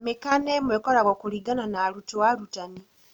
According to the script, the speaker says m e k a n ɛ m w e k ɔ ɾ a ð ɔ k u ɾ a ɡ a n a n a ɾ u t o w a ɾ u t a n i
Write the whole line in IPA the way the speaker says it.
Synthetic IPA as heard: m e k a n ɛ m w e k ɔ ɾ a ɣ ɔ k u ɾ i ɡ a n a n a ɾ u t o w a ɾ u t a n i